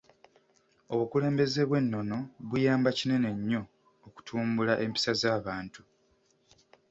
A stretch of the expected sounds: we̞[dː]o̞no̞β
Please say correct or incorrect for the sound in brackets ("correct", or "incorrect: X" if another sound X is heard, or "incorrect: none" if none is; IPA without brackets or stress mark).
incorrect: nː